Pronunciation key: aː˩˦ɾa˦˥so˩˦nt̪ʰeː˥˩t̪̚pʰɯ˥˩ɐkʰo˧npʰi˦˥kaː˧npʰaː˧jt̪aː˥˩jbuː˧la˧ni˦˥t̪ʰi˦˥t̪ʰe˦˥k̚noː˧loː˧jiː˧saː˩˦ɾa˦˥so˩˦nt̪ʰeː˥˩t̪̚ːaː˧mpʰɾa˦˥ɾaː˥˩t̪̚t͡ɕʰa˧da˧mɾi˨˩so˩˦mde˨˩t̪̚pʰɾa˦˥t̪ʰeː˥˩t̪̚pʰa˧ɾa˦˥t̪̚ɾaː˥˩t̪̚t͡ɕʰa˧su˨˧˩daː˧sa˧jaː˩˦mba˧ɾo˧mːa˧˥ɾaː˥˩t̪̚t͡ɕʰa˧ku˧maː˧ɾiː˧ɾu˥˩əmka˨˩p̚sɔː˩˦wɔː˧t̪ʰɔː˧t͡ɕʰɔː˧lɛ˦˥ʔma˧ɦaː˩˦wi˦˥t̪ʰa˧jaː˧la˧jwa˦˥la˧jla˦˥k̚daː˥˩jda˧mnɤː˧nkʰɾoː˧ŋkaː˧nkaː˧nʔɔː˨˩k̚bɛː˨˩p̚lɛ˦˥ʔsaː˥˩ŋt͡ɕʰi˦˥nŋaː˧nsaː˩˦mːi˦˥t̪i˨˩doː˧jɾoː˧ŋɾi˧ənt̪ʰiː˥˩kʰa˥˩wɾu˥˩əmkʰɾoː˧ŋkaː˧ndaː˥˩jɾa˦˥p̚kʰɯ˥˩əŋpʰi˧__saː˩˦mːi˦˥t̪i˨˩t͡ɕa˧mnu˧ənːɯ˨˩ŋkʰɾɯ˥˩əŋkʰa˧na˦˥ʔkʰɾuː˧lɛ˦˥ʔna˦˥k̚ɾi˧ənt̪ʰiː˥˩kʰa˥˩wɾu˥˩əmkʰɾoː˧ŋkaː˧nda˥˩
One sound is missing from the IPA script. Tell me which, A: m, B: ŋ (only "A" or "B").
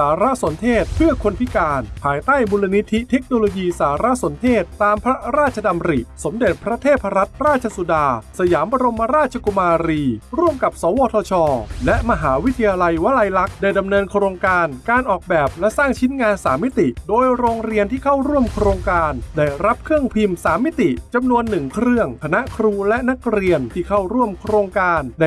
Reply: A